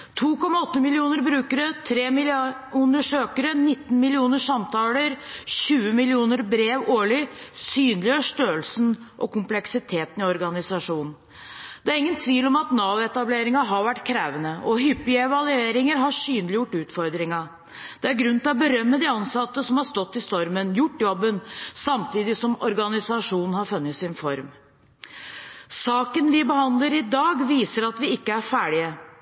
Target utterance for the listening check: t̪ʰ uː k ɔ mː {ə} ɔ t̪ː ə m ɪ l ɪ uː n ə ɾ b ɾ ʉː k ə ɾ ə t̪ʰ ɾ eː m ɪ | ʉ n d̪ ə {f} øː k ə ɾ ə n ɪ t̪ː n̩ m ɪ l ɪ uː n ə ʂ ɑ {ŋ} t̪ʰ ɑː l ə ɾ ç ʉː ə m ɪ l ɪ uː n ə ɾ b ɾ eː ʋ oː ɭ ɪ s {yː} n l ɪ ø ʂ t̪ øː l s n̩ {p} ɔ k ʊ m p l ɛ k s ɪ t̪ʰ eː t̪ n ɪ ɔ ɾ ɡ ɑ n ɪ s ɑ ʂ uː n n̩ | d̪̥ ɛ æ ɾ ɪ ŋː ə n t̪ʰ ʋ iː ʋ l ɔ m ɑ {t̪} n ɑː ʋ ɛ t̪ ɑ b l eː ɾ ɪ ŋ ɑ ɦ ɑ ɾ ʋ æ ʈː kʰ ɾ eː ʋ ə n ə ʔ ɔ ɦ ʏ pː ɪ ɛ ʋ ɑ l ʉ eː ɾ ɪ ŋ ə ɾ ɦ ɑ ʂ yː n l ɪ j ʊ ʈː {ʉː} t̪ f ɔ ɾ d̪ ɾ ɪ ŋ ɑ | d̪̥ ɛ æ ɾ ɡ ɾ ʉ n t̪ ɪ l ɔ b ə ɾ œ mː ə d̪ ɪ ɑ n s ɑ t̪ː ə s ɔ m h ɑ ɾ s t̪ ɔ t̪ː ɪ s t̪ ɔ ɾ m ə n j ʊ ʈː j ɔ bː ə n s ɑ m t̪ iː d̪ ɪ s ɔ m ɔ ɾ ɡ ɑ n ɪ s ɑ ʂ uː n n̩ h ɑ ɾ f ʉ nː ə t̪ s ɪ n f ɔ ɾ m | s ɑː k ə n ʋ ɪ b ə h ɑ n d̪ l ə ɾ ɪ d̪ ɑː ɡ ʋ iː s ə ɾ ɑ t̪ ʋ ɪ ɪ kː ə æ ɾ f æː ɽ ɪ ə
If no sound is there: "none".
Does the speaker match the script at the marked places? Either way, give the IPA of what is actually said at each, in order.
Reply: ɑ, ʂ, m, yː, ʔ, t̪, ʉː

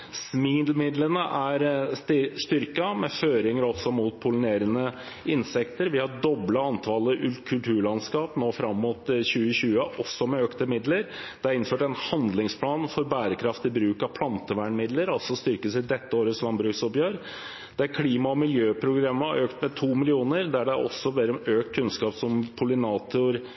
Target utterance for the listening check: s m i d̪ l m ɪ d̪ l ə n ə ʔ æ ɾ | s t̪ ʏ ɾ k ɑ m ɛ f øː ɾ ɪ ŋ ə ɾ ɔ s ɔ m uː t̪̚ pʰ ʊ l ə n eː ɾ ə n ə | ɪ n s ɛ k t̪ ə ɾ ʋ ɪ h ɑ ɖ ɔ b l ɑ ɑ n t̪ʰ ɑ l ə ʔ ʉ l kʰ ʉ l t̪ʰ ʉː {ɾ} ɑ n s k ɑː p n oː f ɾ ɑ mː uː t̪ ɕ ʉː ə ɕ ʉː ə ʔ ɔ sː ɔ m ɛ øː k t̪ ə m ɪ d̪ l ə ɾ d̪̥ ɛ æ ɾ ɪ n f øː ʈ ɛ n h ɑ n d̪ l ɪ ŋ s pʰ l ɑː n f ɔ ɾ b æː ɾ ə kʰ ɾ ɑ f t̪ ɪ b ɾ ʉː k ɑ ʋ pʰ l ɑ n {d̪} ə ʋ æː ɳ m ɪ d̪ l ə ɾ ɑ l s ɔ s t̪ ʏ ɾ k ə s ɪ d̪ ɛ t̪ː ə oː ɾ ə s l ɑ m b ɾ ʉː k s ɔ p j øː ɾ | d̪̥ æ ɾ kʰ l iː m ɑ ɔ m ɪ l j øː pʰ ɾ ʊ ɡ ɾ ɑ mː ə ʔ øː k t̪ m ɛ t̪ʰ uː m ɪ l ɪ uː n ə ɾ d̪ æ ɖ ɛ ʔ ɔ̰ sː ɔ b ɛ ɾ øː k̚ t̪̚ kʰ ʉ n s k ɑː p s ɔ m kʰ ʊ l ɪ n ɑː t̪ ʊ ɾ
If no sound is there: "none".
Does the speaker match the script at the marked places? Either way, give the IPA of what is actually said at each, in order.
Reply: ɭ, t̪

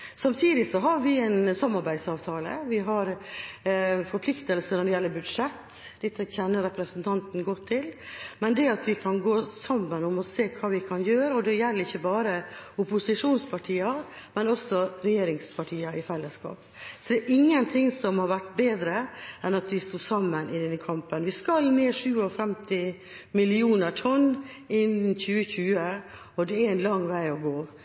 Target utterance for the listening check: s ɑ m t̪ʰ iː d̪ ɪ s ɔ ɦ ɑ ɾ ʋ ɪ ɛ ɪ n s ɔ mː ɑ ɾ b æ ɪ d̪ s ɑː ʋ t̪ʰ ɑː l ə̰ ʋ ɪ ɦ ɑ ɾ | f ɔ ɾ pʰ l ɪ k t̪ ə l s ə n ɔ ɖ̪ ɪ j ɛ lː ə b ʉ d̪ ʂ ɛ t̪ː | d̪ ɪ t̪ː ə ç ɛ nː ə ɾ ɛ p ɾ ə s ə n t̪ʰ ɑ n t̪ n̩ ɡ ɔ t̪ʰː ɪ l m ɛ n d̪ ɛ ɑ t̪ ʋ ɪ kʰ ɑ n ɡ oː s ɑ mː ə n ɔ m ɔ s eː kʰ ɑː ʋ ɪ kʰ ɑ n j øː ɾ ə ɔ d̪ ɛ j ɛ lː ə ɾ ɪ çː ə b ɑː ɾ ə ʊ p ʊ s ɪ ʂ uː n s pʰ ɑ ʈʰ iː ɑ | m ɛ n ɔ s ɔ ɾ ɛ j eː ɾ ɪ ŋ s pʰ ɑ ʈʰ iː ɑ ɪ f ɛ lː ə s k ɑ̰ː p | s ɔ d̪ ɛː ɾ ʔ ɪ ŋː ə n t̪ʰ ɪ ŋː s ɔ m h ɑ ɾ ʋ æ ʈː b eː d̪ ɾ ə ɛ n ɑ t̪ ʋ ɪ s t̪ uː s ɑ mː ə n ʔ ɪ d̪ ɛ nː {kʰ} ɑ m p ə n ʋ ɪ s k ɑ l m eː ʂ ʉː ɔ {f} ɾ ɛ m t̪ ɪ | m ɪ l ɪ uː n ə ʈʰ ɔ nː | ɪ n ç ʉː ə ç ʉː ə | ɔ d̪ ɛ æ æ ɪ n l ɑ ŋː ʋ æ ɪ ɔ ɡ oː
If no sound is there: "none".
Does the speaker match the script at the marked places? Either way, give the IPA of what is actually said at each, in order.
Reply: kʰ, f

